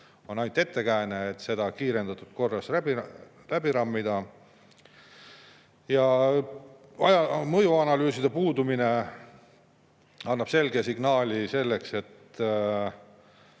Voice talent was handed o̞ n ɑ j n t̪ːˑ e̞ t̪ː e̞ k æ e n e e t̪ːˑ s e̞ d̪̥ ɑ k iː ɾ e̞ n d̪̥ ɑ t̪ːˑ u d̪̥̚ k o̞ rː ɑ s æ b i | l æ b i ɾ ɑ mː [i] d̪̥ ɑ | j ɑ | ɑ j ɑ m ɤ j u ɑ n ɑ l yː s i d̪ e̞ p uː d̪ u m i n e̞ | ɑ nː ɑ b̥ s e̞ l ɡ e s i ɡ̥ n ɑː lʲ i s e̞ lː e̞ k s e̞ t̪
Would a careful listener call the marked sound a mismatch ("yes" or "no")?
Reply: no